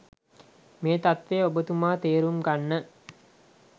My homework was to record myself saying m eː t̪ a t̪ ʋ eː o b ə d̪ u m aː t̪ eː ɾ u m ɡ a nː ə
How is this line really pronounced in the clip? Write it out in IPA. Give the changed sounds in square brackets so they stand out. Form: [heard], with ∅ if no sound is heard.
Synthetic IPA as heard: m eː t̪ a t̪ ʋ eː o b ə [t̪] u m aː t̪ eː ɾ u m ɡ a nː ə